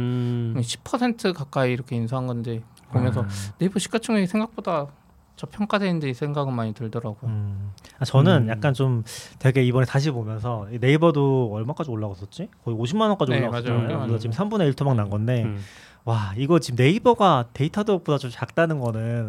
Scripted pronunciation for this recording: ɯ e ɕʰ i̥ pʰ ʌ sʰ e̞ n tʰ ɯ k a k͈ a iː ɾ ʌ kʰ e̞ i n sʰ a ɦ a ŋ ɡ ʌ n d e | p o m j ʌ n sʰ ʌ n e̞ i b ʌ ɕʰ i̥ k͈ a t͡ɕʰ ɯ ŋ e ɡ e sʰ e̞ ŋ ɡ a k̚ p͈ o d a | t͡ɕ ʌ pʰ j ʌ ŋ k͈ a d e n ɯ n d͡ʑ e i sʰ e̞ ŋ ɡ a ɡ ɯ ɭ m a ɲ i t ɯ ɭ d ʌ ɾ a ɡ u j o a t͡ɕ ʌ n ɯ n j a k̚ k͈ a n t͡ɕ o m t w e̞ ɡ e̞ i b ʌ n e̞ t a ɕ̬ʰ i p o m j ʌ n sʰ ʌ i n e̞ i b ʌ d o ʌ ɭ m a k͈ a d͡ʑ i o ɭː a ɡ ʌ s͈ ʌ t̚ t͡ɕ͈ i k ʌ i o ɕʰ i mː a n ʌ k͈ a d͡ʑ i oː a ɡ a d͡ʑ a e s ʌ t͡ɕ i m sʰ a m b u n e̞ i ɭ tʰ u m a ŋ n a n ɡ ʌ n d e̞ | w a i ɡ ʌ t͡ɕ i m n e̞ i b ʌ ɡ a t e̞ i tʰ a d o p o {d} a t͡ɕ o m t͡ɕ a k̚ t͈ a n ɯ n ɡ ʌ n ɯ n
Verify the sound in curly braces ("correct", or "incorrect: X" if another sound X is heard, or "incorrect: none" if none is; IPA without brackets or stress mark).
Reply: correct